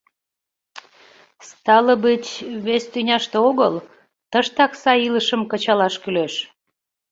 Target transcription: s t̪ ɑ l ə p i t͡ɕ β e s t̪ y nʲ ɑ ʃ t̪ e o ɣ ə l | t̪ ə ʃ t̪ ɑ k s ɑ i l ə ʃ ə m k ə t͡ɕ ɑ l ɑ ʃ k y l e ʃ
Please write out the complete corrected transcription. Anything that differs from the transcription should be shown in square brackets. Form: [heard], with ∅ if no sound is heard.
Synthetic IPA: s t̪ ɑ l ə [b] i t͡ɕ β e s t̪ y nʲ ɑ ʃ t̪ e o ɣ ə l | t̪ ə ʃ t̪ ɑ k s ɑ i l ə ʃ ə m k ə t͡ɕ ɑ l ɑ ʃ k y l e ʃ